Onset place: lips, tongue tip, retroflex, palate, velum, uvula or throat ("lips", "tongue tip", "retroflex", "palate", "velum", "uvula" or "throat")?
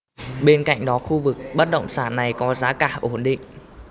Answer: lips